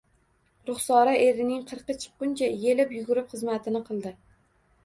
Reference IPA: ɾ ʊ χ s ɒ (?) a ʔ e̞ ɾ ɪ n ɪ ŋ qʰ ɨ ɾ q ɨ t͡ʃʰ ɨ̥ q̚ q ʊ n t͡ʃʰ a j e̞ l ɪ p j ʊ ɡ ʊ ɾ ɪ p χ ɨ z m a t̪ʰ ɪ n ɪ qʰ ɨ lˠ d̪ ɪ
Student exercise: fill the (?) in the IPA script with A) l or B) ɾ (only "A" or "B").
B